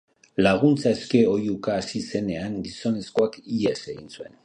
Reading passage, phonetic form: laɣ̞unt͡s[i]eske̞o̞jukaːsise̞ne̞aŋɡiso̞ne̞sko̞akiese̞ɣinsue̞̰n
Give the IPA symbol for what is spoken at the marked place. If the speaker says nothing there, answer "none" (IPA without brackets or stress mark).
a